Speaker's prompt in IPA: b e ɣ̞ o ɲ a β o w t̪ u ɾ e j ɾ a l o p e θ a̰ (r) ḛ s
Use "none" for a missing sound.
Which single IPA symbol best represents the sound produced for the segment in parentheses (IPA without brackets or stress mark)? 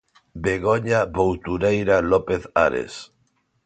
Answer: ɾ